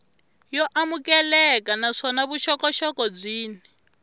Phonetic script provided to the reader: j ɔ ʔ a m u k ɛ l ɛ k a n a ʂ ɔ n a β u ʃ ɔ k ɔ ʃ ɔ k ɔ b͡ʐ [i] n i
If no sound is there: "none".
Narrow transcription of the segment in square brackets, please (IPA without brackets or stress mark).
iː